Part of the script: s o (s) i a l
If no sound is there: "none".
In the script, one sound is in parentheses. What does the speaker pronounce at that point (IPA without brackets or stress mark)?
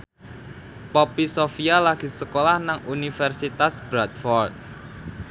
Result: f